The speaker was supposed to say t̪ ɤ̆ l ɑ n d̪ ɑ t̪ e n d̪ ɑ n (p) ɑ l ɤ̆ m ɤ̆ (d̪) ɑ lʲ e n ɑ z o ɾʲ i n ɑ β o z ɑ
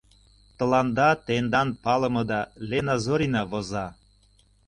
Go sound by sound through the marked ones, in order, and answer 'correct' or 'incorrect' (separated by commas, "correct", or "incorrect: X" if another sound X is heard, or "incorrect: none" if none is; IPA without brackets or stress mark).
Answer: correct, correct